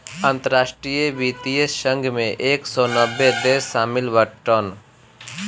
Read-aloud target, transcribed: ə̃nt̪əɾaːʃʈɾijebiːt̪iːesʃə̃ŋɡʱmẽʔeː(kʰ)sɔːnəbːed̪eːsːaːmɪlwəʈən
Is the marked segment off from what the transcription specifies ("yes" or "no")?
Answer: yes